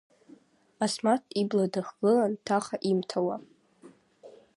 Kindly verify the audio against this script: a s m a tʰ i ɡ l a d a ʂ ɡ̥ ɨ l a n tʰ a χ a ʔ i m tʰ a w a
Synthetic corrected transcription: a s m a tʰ i b l a d a χ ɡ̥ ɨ l a n tʰ a χ a ʔ i m tʰ a w a